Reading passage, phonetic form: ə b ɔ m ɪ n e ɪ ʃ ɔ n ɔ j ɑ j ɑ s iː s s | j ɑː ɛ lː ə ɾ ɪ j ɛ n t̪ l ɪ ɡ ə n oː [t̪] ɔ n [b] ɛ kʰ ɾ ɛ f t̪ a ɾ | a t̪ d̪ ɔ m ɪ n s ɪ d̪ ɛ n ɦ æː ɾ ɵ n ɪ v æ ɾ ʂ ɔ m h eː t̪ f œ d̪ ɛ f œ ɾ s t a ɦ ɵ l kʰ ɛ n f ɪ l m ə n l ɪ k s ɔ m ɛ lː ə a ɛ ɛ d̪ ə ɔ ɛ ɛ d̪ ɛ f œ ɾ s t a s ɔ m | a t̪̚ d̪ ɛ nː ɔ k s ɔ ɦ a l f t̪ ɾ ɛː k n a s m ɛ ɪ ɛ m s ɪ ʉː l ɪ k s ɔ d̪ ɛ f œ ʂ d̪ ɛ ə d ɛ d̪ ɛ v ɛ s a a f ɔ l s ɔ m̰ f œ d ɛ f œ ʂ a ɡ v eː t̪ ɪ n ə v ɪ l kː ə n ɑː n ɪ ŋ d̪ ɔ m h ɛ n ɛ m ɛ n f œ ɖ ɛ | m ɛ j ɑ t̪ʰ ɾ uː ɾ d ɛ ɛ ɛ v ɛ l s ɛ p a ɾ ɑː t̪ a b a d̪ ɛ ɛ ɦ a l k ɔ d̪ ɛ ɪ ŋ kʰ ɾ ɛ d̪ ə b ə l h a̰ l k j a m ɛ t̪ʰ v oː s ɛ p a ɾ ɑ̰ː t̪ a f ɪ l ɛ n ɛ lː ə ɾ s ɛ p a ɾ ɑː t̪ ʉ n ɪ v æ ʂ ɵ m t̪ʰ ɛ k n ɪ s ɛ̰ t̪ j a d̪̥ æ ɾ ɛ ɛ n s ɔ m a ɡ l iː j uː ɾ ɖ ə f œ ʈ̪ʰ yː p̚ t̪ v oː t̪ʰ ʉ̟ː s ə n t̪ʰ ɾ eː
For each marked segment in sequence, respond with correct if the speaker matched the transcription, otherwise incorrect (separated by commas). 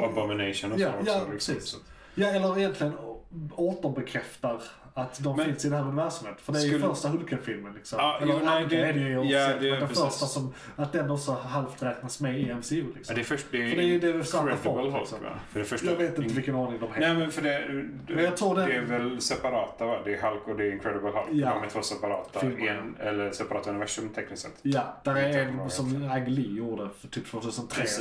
correct, correct